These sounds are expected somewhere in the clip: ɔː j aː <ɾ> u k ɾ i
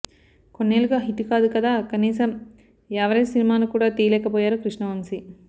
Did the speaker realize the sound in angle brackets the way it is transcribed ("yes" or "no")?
yes